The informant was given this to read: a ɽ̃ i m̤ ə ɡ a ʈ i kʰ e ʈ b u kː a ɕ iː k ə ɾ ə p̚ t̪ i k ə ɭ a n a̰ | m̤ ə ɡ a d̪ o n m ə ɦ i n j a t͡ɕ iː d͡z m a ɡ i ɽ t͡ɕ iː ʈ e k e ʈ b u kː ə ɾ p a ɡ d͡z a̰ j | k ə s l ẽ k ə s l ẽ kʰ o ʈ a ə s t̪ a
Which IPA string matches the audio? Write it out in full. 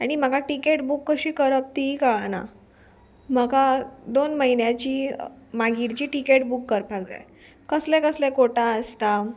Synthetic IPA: a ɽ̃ i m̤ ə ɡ a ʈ i k e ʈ b u kː ə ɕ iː k ə ɾ ə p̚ t̪ i k ə ɭ a n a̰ | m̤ ə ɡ a d̪ o n m ə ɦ i n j a t͡ɕ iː m a ɡ i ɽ t͡ɕ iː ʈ i k e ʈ b u kː ə ɾ p a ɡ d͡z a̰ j | k ə s l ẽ k ə s l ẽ k o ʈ a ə s t̪ a